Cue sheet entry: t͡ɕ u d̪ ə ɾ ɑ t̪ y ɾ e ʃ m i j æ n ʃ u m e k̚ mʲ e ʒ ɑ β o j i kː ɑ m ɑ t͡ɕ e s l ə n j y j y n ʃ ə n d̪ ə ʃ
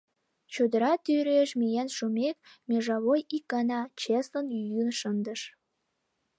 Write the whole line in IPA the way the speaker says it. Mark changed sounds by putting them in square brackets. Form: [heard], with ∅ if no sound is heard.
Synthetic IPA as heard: t͡ɕ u d̪ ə ɾ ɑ t̪ y ɾ e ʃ m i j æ n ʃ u m e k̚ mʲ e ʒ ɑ β o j i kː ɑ [n] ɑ t͡ɕ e s l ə n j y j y n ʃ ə n d̪ ə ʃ